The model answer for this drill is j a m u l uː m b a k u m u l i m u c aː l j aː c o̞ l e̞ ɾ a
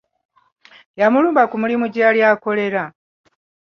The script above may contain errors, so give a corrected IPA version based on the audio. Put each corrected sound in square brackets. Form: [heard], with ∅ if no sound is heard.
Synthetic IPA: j a m u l uː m b a k u m u l i m u [ɟ] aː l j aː [k] o̞ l e̞ ɾ a

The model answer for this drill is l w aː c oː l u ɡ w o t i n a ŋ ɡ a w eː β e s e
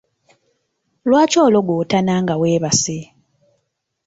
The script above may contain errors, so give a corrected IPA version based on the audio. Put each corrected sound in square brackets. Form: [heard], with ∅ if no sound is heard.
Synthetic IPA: l w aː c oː l [o] ɡ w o t [a] n a ŋ ɡ a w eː β [a] s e

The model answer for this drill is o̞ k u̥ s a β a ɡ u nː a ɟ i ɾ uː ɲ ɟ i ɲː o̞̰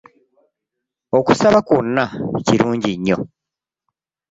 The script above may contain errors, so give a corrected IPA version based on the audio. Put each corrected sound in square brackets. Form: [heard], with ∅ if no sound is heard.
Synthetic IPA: o̞ k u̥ s a β a [k] u nː a [c] i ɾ uː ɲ ɟ i ɲː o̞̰

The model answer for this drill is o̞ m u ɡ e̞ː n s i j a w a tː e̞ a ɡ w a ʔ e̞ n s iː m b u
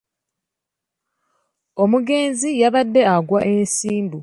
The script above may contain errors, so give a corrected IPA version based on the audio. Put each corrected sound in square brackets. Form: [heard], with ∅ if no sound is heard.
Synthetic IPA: o̞ m u ɡ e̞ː n [z] i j a [β] a [dː] e̞ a ɡ w a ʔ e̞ n s iː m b u

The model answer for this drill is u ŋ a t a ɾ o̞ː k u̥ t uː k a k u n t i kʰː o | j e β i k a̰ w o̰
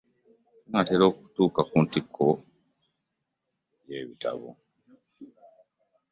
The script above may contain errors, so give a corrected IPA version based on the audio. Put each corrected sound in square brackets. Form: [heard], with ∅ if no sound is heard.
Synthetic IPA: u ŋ a t [e] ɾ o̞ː k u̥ t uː k a k u n t i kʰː o | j e β i [t] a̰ [β] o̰

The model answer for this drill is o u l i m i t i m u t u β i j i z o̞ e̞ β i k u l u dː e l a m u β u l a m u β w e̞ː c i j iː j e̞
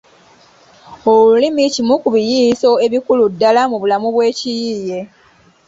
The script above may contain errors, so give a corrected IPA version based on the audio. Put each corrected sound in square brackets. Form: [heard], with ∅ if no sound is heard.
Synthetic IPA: o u l i m i [c] i m u [k] u β i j i [s] o̞ e̞ β i k u l u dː [a] l a m u β u l a m u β w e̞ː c i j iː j e̞

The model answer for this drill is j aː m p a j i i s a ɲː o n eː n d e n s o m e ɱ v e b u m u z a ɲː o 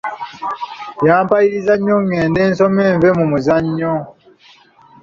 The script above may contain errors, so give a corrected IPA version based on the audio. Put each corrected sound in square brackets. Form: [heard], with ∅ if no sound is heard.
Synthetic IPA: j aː m p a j i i [z] a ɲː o [ŋ] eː n d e n s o m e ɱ v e [m] u m u z a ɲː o

